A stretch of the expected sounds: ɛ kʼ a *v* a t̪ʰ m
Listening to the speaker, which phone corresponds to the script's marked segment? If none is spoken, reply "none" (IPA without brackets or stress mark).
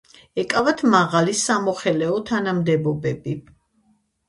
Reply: v